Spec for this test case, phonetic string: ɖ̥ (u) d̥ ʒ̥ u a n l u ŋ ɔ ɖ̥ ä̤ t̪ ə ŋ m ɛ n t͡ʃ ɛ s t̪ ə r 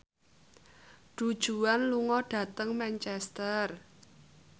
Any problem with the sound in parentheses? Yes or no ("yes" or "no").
no